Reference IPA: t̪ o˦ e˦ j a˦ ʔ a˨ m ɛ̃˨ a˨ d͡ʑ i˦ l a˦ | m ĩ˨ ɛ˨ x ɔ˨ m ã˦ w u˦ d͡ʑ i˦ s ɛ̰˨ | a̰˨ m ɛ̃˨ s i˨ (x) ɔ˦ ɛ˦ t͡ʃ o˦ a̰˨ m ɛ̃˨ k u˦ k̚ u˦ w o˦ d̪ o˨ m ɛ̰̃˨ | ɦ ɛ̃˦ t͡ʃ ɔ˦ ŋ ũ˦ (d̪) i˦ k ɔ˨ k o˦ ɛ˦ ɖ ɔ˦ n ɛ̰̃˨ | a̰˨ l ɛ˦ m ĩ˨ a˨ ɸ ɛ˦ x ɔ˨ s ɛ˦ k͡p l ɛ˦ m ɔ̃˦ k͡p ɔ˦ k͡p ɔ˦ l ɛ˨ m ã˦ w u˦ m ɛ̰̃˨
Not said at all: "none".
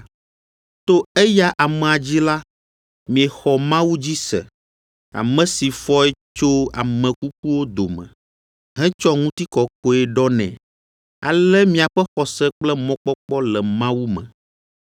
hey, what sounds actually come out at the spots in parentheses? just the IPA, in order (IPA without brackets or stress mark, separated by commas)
f, t̪